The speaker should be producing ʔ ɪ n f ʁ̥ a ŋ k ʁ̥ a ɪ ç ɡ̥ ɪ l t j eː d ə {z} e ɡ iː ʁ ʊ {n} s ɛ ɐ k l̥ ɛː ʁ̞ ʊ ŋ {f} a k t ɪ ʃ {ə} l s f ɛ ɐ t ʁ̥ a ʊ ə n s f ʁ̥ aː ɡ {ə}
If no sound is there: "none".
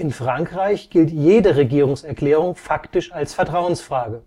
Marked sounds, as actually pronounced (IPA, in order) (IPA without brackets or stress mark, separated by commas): ʁ, ŋ, f, a, ə